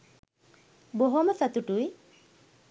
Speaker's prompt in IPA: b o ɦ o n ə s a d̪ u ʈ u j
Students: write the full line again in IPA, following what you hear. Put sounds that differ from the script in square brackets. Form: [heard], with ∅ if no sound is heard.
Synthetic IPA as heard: b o ɦ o [m] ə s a [t̪] u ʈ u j